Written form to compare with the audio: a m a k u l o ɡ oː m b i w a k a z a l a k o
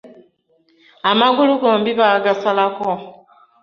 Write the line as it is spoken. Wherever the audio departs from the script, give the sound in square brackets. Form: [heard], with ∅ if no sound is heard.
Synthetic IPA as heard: a m a [ɡ] u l [u] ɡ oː m b i [β] a [ɡ] a [s] a l a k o

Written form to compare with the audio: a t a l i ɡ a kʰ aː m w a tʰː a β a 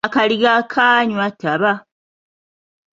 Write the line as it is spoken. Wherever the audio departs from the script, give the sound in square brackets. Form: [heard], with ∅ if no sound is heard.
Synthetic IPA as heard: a [k] a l i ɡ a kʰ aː [ɲ] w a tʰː a β a

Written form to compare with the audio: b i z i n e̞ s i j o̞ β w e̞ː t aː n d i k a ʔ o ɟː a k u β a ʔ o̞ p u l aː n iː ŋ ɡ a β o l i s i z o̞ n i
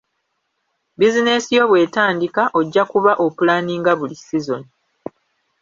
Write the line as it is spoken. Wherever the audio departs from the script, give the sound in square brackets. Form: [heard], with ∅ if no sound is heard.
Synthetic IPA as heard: b i z i n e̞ s i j o̞ β w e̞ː t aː n d i k a ʔ o ɟː a k u β a ʔ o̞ p u l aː n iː ŋ ɡ a β [u] l i s i z o̞ n i

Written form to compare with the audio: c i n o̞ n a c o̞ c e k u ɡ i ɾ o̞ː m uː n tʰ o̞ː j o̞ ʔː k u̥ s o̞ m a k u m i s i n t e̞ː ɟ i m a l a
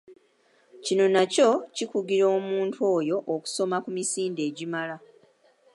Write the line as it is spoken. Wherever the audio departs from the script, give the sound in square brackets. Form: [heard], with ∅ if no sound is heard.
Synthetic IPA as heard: c i n o̞ n a c o̞ c [i] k u ɡ i ɾ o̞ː m uː n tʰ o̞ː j o̞ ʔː k u̥ s o̞ m a k u m i s [iː] n [d] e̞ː ɟ i m a l a

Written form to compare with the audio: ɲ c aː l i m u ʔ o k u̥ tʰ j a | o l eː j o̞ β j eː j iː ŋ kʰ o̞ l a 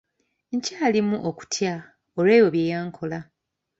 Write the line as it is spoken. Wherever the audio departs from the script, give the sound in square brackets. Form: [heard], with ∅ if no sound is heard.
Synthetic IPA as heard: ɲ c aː l i m u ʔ o k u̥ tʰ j a | o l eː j o̞ β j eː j [aː] ŋ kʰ o̞ l a

